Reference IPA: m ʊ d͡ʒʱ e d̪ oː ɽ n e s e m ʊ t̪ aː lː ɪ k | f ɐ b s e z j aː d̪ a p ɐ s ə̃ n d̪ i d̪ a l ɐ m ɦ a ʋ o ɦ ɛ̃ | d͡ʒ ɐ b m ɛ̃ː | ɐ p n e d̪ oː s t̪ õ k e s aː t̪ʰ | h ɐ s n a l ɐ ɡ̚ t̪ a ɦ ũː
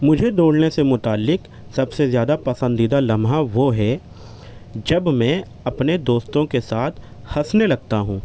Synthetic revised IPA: m ʊ d͡ʒʱ e d̪ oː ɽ n e s e m ʊ t̪ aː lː ɪ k | s ɐ b s e z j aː d̪ a p ɐ s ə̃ n d̪ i d̪ a l ɐ m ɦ a ʋ o ɦ ɛ | d͡ʒ ɐ b m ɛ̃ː | ɐ p n e d̪ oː s t̪ õ k e s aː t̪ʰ | h ɐ s n e l ɐ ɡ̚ t̪ a ɦ ũː